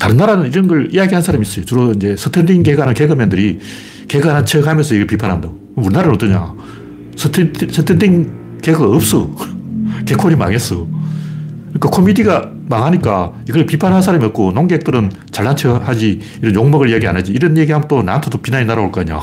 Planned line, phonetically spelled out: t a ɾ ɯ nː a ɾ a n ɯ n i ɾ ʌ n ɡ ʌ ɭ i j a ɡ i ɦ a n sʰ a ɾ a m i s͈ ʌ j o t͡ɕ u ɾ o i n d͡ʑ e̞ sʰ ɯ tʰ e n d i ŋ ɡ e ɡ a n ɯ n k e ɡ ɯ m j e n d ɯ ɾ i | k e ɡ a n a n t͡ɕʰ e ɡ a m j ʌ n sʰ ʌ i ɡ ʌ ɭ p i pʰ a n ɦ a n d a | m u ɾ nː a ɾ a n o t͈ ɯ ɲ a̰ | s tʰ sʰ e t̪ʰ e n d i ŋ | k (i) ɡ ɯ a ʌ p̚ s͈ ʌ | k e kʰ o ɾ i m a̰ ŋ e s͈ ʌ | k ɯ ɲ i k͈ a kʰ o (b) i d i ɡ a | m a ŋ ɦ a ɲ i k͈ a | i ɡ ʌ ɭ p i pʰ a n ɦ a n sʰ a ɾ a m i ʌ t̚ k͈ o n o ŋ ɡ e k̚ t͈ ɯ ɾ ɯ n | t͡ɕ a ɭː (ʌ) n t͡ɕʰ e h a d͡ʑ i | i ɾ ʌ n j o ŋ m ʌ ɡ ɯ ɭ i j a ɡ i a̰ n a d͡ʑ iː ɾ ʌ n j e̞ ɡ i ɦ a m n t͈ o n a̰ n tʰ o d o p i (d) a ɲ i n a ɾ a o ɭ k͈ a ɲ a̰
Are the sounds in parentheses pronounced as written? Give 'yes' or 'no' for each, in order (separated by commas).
no, no, no, no